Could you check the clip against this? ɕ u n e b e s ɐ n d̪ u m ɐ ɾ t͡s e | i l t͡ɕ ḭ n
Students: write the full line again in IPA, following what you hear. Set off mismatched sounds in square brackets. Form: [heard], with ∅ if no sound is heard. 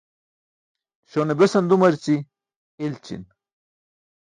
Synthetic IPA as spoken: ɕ [o] n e b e s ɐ n d̪ u m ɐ ɾ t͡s [i] | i l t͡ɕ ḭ n

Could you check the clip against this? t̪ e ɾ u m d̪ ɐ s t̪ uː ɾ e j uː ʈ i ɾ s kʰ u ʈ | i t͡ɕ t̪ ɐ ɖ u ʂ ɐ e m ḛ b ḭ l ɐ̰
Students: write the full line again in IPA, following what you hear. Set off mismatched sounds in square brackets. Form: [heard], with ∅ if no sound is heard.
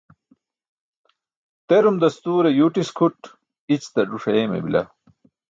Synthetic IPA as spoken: t̪ e ɾ u m d̪ ɐ s t̪ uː ɾ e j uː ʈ i [∅] s kʰ u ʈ | i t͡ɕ t̪ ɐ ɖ u ʂ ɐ e m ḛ b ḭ l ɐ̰

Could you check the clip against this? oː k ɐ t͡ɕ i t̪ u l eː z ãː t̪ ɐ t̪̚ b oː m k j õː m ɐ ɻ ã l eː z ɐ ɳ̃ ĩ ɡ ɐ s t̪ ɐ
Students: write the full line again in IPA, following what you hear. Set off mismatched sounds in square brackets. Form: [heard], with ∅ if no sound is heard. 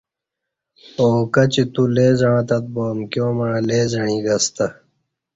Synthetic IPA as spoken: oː k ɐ t͡ɕ i t̪ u l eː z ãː t̪ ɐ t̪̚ b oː m k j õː m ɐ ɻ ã l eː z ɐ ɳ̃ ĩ ɡ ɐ s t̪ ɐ

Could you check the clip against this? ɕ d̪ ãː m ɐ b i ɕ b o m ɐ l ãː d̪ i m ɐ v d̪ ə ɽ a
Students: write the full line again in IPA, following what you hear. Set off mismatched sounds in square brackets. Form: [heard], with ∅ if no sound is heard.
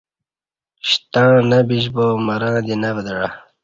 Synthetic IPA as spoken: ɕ [t̪] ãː [n] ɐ b i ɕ b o m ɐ [ɾ] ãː d̪ i [n] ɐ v d̪ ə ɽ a

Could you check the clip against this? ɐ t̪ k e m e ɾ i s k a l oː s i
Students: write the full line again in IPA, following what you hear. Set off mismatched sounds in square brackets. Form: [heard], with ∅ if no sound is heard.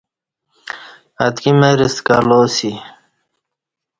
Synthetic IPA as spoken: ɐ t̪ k [i] m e ɾ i s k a l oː s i

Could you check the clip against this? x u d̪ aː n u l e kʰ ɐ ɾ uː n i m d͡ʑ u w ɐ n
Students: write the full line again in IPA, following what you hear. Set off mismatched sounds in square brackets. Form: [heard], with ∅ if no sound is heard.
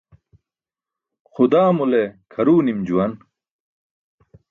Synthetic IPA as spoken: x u d̪ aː [m] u l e kʰ ɐ ɾ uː n i m d͡ʑ u w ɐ n

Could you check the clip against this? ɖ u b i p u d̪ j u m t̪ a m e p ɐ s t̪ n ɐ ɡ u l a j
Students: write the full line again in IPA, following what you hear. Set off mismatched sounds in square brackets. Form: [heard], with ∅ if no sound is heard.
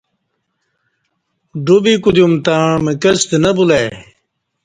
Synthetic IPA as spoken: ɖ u b i [k] u d̪ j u m t̪ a m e [k] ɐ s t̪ n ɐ [b] u l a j

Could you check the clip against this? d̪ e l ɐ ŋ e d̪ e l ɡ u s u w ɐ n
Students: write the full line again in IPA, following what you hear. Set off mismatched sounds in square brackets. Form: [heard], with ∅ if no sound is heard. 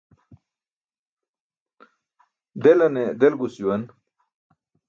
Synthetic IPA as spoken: d̪ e l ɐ [n] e d̪ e l ɡ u s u w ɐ n

